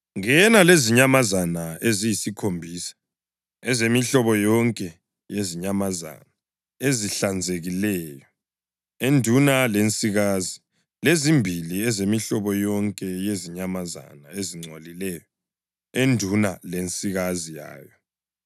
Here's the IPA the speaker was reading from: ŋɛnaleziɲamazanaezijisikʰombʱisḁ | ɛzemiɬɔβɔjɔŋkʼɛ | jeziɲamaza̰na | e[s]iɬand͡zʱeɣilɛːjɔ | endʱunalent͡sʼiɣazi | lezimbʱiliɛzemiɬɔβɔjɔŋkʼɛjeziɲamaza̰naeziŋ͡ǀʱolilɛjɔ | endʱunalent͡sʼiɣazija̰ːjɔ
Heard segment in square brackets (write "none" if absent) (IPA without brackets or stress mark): z